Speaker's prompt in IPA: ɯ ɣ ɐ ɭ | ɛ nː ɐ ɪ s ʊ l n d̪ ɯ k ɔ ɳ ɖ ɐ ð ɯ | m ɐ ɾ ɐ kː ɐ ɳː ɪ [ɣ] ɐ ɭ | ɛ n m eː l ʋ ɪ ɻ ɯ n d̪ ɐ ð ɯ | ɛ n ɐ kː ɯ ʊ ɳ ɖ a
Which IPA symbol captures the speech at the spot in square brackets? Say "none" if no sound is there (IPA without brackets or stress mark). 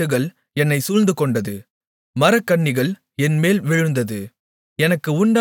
ɣ